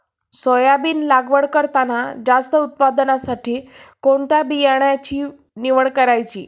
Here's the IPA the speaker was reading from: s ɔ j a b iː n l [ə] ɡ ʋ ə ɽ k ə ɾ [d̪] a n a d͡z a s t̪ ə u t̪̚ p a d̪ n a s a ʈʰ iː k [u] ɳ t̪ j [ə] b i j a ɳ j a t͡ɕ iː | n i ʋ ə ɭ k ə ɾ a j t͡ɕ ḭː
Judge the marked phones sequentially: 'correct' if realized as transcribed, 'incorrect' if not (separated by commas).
incorrect, incorrect, incorrect, incorrect